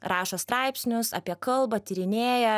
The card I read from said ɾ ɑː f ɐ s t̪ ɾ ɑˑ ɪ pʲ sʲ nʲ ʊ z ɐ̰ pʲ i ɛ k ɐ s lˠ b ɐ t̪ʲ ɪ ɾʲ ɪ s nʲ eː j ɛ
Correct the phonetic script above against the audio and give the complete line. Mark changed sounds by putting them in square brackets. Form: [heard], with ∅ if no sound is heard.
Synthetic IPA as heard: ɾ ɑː [ʃ] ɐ s t̪ ɾ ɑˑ ɪ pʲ sʲ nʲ ʊ [s] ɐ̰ pʲ i ɛ k ɐ [∅] lˠ b ɐ t̪ʲ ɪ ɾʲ ɪ [∅] nʲ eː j ɛ